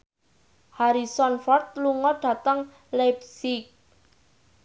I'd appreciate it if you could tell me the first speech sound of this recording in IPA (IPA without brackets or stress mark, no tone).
h